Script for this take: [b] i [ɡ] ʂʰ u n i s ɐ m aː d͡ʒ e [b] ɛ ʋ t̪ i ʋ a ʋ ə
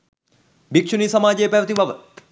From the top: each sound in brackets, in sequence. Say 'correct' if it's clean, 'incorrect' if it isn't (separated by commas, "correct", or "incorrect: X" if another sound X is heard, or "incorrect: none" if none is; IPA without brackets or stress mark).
correct, incorrect: k, incorrect: p